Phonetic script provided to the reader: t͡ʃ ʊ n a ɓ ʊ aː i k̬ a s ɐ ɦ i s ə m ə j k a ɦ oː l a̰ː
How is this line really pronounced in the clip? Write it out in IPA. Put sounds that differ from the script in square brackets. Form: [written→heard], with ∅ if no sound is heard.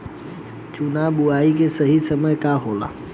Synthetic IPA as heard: t͡ʃ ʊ n a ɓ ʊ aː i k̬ [a→e] s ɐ ɦ i s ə m ə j k a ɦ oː l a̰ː